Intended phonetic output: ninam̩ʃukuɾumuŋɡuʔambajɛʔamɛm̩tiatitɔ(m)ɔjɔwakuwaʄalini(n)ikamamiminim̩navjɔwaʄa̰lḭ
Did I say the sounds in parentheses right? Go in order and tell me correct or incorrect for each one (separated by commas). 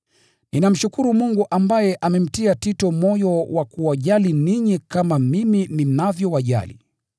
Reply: correct, incorrect